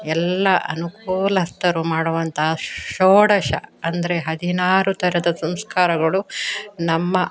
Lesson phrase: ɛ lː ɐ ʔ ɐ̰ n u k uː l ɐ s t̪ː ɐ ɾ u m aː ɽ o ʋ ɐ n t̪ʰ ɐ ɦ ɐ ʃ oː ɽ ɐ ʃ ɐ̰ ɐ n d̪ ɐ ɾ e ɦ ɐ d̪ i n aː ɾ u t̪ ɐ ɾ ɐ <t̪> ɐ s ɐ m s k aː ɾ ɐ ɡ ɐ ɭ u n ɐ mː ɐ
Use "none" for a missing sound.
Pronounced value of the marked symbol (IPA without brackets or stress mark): d̪